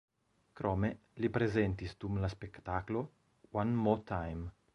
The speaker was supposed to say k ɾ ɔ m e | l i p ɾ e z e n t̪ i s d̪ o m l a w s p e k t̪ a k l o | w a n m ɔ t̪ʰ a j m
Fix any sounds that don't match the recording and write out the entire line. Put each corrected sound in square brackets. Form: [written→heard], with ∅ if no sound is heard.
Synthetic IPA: k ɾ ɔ m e | l i p ɾ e z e n t̪ i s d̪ [o→u] m l a [w→∅] s p e k t̪ a k l o | w a n m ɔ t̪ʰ a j m